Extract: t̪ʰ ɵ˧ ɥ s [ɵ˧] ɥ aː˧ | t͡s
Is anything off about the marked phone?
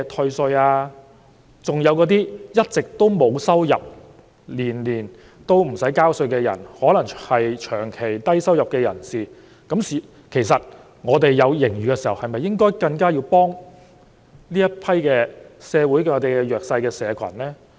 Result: no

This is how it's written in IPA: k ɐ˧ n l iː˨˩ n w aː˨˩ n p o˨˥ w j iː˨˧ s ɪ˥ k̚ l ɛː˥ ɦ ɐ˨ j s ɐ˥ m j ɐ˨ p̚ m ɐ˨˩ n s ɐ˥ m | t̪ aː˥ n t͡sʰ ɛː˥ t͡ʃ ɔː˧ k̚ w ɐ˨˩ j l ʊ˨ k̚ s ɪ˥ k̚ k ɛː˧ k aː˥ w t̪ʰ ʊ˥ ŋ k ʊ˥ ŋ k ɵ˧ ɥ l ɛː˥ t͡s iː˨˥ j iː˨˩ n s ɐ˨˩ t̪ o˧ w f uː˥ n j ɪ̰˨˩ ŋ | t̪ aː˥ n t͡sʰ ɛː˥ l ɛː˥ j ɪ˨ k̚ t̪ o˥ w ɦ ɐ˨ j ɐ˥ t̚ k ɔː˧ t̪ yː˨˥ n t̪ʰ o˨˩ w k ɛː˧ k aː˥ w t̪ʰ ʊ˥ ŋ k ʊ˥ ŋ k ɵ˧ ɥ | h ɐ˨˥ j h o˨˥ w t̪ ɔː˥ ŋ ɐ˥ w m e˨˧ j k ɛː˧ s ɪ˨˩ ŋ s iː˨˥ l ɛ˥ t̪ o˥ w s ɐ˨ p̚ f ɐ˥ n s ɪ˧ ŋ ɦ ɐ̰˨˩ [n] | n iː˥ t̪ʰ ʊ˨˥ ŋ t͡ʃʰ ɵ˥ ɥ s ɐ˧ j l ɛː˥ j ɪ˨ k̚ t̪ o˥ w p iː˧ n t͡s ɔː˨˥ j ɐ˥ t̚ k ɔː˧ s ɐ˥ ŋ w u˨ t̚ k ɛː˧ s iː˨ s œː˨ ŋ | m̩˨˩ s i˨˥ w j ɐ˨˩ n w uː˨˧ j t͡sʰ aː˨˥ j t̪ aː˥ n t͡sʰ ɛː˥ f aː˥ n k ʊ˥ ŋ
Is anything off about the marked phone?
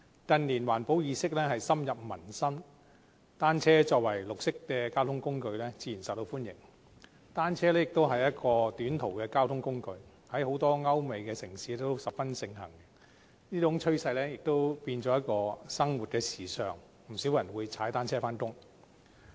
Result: yes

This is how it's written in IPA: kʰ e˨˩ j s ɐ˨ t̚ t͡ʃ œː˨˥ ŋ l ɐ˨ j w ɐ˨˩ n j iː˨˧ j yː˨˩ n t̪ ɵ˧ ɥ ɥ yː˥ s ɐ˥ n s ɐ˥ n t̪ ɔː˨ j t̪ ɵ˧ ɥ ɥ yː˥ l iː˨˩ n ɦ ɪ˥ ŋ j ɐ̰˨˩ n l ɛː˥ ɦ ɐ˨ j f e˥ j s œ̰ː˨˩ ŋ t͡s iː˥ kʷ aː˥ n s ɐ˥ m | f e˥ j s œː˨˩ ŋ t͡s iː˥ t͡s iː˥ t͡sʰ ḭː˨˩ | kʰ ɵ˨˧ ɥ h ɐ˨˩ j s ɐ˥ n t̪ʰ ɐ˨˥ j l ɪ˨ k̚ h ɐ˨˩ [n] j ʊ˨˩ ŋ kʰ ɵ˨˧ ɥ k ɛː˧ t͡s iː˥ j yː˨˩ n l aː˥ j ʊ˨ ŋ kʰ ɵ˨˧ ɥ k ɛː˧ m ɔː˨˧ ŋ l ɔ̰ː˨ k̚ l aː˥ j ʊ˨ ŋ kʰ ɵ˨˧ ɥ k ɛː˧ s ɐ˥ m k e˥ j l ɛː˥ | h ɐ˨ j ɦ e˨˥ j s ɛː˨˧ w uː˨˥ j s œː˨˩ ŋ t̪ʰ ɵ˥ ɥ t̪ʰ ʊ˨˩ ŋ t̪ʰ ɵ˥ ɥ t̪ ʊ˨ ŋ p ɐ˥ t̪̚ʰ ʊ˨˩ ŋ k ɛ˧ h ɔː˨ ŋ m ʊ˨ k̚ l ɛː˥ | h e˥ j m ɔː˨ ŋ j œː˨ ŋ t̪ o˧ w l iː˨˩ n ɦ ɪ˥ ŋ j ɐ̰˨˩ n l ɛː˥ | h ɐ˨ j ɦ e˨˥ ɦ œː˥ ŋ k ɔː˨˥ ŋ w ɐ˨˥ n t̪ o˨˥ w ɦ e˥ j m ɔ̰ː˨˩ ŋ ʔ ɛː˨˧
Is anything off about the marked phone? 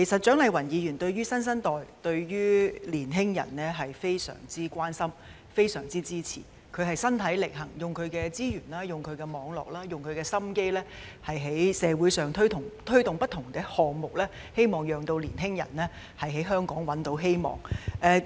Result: yes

